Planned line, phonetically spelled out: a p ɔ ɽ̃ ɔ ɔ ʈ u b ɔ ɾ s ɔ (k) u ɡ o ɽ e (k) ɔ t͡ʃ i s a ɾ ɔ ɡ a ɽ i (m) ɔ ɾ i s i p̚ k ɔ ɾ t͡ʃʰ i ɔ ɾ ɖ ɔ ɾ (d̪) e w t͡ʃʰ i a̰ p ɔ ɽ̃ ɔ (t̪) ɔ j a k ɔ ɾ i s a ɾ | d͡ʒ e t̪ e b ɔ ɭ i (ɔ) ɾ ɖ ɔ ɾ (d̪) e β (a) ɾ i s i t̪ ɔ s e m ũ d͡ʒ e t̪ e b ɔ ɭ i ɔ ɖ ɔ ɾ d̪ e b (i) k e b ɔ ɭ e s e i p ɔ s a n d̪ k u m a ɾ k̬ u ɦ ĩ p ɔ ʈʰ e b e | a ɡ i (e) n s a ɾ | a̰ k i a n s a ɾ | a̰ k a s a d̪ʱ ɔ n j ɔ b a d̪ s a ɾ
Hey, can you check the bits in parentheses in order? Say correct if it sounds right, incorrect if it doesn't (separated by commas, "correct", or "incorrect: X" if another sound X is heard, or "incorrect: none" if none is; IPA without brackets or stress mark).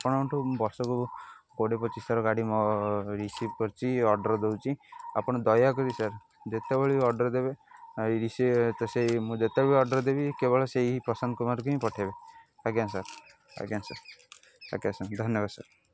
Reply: correct, incorrect: p, correct, correct, incorrect: d̪, correct, correct, incorrect: e, correct, incorrect: a